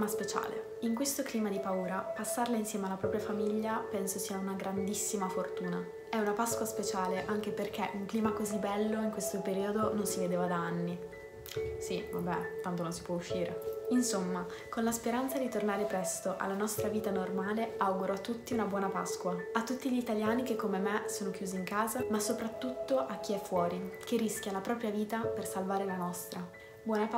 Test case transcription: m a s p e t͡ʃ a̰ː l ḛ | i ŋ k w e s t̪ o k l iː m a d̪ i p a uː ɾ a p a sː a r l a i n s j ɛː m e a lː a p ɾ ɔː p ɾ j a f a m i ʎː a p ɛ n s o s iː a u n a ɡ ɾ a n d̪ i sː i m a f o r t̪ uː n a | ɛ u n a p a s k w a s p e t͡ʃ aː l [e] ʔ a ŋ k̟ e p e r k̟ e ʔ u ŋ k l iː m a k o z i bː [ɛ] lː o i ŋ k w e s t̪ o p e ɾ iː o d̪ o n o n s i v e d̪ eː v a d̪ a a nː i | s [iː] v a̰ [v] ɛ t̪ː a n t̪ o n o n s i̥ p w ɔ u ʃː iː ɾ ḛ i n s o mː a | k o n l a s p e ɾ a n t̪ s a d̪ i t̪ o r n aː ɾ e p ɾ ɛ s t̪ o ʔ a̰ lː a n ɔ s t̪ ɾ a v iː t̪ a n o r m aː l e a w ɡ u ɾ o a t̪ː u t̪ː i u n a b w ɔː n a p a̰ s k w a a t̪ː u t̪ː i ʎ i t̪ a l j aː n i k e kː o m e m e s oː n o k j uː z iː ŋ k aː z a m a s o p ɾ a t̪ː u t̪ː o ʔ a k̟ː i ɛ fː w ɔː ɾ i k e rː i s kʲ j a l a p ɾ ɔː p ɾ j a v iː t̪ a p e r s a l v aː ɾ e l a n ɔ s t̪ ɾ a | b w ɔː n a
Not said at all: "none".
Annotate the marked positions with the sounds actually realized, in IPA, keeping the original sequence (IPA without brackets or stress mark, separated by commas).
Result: e, ɛ, i, b